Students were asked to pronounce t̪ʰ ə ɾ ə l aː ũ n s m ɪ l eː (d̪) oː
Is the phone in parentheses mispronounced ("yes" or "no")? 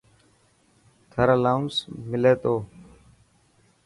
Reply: yes